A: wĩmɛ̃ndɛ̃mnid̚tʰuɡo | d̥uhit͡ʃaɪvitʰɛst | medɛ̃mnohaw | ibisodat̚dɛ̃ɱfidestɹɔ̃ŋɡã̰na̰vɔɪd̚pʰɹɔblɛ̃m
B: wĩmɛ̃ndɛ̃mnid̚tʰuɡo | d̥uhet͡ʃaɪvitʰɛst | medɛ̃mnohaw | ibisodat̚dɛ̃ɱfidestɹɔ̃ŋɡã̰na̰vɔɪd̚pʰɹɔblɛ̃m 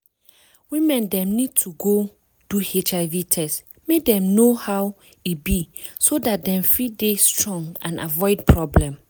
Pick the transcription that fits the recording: B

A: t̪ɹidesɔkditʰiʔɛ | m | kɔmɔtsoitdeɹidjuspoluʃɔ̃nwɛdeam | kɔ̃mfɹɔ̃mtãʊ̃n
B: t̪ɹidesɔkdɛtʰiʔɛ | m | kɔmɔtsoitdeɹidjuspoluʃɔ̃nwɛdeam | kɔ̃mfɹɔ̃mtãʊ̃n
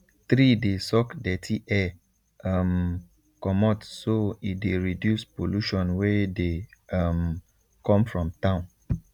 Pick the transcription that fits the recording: B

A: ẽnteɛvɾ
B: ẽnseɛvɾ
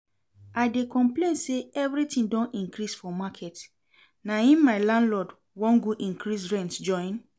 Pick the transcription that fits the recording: B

